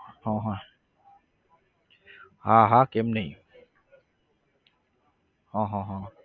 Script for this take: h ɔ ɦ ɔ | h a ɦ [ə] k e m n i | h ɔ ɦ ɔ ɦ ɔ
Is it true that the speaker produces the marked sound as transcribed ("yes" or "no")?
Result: no